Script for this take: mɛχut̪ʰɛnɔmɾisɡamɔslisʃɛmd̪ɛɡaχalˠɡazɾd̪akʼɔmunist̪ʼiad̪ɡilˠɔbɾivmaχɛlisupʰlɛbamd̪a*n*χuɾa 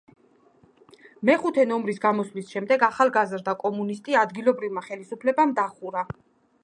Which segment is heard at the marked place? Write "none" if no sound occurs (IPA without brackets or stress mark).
none